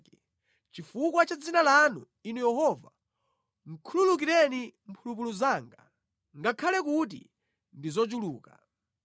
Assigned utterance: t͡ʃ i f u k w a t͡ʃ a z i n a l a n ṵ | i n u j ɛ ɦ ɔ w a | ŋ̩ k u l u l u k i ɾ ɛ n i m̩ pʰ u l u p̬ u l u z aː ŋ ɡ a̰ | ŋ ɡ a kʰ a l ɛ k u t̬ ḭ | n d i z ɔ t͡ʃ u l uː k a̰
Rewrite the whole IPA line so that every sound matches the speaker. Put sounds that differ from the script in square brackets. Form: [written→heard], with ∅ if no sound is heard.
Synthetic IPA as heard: t͡ʃ i f u k w a t͡ʃ a [z→d͡z] i n a l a n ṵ | i n u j ɛ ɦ ɔ [w→v] a | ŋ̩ [k→kʰ] u l u l u k i ɾ ɛ n i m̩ pʰ u l u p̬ u l u z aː ŋ ɡ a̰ | ŋ ɡ a kʰ a l ɛ k u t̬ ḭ | n d i z ɔ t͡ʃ u l uː k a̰